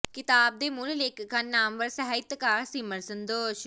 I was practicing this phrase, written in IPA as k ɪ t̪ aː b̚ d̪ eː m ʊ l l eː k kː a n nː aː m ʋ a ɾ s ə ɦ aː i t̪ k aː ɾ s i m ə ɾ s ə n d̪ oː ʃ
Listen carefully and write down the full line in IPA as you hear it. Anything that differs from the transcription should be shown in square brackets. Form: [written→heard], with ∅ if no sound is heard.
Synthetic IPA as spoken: k ɪ t̪ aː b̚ d̪ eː m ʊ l l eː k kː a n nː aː m ʋ [a→ə] ɾ s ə ɦ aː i t̪ k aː ɾ s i m ə ɾ s ə n d̪ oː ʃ